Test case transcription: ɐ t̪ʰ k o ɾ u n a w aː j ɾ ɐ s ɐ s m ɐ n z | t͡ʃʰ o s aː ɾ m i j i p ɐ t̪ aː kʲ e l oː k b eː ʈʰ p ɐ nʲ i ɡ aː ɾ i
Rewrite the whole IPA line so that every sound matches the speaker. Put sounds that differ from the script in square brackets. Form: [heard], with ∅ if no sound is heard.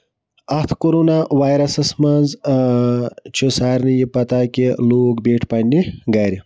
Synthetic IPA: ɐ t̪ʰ k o ɾ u n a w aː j ɾ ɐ s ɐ s m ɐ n z | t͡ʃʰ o s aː ɾ [n] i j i p ɐ t̪ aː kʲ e l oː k b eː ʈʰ p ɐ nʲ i ɡ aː ɾ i